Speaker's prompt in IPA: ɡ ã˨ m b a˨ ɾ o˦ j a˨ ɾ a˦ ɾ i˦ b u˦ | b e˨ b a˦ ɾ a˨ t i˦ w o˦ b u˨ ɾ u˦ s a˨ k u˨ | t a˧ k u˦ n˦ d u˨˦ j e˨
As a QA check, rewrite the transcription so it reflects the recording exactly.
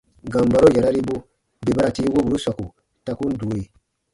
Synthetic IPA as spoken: ɡ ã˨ m b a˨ ɾ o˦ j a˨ ɾ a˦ ɾ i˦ b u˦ | b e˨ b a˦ ɾ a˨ t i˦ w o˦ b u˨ ɾ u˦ s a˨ k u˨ | t a˧ k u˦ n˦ d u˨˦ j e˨